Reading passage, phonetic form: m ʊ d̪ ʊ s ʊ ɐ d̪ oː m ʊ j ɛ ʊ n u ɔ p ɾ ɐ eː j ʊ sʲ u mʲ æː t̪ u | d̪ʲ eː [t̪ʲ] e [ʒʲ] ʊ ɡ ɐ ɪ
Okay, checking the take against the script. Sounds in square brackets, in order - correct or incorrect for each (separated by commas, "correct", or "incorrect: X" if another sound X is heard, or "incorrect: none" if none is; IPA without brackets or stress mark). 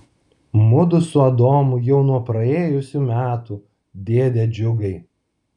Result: incorrect: d̪ʲ, incorrect: d͡ʒʲ